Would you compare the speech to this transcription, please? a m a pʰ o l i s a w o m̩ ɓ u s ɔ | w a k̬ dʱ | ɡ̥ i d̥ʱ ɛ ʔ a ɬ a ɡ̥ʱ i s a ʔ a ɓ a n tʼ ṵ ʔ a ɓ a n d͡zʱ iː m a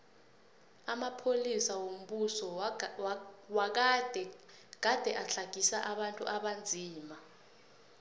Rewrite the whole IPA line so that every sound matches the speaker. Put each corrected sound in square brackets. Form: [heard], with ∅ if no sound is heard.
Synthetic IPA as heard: a m a pʰ o l i s a w o m̩ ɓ u s ɔ | w a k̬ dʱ | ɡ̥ [a] d̥ʱ ɛ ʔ a ɬ a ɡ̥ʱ i s a ʔ a ɓ a n tʼ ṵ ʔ a ɓ a n d͡zʱ iː m a